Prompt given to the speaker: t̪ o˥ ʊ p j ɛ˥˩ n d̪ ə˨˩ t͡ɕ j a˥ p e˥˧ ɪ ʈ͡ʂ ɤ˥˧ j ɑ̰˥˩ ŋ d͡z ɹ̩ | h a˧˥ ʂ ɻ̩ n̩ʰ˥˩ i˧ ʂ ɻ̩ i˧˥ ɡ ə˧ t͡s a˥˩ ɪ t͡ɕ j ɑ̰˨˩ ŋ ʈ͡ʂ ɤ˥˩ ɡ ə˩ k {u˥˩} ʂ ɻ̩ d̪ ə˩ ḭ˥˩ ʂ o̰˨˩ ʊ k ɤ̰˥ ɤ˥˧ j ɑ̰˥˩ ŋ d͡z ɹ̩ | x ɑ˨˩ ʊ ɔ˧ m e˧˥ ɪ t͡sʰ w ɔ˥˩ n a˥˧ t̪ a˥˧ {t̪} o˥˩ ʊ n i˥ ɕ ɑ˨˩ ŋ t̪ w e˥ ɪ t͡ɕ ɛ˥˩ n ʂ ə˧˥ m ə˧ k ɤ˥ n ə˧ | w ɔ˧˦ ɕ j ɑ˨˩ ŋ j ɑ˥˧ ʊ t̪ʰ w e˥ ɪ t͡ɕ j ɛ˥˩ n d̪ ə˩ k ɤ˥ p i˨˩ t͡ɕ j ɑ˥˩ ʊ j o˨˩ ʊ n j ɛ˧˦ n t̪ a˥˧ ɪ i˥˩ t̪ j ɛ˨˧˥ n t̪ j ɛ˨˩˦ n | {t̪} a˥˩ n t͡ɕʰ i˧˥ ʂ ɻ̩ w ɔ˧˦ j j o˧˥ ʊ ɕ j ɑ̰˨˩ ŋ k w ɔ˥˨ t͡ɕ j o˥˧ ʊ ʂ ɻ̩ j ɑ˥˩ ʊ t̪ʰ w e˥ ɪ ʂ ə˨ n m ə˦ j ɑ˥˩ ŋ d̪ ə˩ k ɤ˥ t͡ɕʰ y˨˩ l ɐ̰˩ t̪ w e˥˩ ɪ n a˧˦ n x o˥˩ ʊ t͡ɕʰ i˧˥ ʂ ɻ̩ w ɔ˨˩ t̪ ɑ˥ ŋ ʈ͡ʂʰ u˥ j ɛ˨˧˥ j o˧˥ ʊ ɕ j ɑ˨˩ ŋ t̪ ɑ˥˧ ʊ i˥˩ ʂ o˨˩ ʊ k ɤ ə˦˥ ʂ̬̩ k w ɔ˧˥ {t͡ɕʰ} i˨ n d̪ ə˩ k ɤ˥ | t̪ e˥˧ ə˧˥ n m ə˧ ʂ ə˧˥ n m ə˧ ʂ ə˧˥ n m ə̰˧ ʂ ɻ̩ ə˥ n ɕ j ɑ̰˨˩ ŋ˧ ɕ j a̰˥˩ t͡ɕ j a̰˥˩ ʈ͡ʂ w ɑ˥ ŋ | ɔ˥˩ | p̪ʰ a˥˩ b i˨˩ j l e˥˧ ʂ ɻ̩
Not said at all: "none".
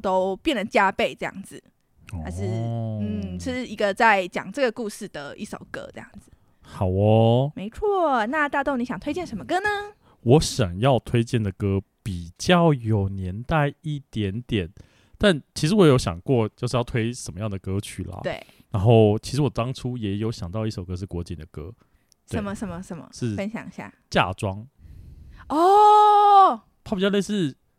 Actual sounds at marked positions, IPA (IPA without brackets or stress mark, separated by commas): u˥˧, t̪, t̪, t͡ɕ